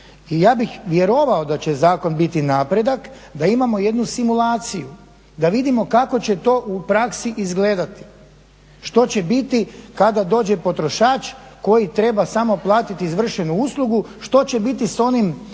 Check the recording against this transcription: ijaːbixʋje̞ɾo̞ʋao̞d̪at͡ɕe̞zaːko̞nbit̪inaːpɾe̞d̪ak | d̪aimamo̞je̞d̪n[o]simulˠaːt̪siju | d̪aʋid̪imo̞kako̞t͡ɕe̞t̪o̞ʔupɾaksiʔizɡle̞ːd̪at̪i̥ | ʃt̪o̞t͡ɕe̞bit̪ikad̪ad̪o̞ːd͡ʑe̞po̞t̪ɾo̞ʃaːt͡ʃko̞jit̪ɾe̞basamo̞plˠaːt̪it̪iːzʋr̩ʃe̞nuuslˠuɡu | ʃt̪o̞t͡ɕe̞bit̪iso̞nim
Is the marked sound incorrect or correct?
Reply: incorrect